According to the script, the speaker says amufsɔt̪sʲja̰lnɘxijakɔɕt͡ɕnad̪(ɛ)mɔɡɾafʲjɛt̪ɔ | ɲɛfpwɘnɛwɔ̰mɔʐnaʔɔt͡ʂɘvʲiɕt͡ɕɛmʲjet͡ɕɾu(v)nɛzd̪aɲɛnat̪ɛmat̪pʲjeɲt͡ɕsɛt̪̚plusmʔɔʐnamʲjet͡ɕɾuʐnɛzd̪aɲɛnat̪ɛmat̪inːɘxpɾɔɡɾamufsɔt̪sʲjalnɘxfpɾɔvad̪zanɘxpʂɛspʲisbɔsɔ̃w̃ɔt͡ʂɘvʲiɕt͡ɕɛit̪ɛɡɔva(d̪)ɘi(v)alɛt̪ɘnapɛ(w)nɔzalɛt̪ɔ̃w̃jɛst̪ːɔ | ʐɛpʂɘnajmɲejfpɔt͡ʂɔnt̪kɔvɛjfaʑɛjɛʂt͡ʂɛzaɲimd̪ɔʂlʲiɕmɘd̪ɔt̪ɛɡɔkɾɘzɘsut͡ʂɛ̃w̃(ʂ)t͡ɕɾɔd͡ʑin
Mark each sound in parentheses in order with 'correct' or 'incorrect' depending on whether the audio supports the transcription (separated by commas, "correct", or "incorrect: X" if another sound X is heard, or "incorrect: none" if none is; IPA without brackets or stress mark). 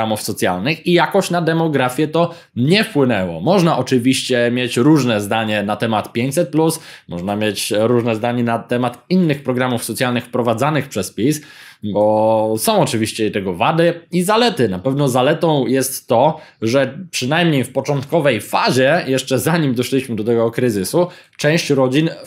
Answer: correct, incorrect: ʐ, correct, incorrect: z, incorrect: v, incorrect: ɕ